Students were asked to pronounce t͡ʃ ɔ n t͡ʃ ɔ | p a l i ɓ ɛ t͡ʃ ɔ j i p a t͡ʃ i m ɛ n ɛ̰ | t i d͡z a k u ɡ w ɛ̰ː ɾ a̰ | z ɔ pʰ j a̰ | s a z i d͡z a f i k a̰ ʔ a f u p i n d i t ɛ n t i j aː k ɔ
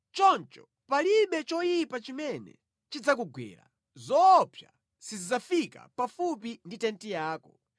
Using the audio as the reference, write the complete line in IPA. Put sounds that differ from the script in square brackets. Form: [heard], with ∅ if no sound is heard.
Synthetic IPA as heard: t͡ʃ ɔ n t͡ʃ ɔ | p a l i ɓ ɛ t͡ʃ ɔ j i p a t͡ʃ i m ɛ n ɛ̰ | [t͡ʃ] i d͡z a k u ɡ w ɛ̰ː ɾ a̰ | z ɔ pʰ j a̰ | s [i] z i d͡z a f i k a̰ [p] a f u p i n d i t ɛ n t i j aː k ɔ